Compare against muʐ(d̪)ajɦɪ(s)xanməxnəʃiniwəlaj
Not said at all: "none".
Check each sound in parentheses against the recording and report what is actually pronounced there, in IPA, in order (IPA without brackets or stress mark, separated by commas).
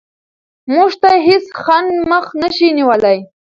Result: t̪, s